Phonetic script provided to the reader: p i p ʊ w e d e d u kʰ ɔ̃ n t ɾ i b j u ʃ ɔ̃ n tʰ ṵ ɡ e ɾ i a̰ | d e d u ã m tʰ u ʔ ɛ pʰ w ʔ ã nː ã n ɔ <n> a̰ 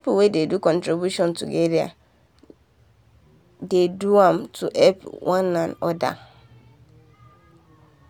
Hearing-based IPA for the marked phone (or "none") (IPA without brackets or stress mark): d